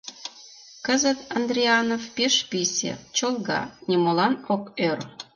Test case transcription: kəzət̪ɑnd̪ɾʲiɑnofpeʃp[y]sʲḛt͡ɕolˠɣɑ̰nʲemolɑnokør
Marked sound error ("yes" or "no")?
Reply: yes